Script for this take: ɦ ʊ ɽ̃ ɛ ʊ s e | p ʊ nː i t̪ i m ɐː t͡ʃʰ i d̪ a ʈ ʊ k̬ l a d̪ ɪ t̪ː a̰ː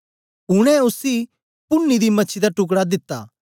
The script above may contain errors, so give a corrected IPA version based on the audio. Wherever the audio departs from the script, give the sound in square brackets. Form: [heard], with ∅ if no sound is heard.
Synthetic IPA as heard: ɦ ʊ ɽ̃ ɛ ʊ s [i] | p ʊ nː i [d̪] i m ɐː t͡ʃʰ i d̪ a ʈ ʊ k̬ [ɽ] a d̪ ɪ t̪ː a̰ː